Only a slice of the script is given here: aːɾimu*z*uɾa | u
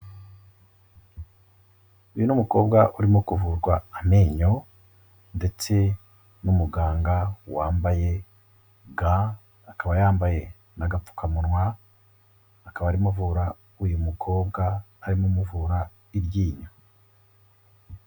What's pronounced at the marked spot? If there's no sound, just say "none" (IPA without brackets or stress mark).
v